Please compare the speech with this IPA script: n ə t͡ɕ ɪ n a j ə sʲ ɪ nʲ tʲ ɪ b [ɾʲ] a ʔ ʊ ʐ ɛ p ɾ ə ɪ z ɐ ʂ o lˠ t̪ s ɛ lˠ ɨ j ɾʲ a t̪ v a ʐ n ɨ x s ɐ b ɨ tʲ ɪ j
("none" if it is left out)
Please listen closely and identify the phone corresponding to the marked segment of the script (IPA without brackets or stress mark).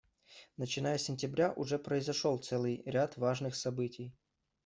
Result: ɾʲ